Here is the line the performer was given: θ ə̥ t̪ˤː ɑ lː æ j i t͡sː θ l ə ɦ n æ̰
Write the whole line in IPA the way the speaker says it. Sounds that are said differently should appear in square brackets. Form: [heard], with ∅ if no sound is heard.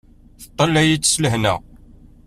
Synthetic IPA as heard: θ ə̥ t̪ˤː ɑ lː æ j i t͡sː [s] l ə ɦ n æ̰